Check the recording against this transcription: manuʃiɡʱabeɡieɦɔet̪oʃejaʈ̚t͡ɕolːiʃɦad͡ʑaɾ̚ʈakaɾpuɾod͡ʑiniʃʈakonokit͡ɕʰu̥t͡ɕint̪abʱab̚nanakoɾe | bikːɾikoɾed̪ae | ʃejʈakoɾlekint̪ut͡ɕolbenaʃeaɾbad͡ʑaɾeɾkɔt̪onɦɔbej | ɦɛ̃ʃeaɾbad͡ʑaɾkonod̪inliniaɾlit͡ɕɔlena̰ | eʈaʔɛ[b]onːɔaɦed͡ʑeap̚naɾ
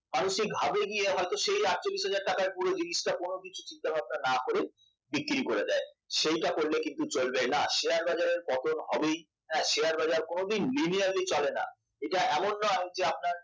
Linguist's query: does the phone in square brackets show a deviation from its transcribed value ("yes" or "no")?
yes